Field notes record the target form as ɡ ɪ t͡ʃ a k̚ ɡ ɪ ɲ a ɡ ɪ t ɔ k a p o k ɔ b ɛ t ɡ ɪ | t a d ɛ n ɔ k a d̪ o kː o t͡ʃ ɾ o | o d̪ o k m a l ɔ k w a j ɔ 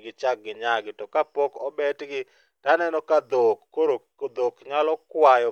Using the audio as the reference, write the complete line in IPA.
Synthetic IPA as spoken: ɡ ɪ t͡ʃ a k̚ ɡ ɪ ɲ a ɡ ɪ t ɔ k a p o k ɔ b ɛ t ɡ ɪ | t a n ɛ n ɔ k a d̪ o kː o ɾ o | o d̪ o k ɲ a l ɔ k w a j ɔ